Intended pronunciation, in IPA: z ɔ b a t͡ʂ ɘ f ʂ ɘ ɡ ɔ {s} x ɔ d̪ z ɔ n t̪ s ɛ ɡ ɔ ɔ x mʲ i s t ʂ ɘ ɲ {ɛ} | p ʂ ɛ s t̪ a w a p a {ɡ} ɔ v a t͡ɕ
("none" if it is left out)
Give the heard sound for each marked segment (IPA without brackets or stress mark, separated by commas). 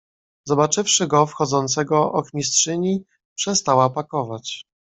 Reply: f, i, k